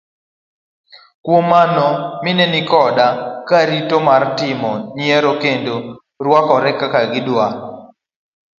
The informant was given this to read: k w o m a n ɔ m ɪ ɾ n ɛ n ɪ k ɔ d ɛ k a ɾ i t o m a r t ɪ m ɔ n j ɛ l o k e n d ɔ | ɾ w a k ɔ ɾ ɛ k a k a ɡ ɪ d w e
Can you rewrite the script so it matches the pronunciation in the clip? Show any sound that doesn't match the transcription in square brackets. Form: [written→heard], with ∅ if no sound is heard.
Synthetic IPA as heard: k w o m a n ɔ m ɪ [ɾ→∅] n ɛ n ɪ k ɔ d [ɛ→a] k a ɾ i t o m a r t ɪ m ɔ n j ɛ [l→ɾ] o k e n d [ɔ→o] | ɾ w a k ɔ ɾ ɛ k a k a ɡ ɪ d w [e→a]